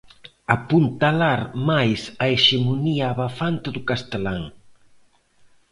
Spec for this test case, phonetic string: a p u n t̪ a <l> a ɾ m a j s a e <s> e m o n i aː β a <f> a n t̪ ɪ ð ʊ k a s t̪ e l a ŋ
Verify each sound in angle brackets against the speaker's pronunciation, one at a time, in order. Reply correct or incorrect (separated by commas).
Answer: correct, incorrect, correct